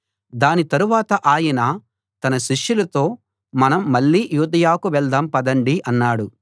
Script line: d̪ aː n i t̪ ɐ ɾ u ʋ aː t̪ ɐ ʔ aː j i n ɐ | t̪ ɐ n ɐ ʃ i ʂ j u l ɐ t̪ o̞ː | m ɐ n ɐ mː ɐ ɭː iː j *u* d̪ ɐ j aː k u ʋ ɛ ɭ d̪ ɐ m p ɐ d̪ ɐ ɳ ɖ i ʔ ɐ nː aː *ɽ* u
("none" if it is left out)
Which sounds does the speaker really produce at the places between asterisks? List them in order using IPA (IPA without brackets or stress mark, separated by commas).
uː, ɽ